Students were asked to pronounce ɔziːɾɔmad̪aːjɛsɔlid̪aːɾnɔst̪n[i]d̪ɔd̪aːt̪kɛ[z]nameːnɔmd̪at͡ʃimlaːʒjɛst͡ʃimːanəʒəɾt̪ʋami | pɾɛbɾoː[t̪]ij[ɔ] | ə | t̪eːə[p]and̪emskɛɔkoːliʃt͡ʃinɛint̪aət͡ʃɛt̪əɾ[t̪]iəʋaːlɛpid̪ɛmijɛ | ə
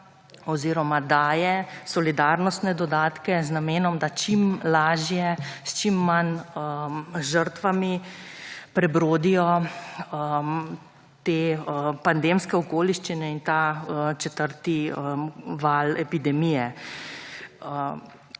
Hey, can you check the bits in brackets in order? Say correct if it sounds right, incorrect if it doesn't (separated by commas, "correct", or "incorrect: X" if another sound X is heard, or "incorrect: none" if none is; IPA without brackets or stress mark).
incorrect: ɛ, correct, incorrect: d̪, correct, correct, correct